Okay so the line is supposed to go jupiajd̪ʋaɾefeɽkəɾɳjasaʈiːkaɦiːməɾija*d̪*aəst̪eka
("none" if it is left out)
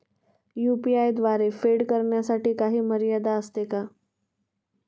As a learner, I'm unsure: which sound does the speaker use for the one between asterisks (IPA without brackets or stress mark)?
d̪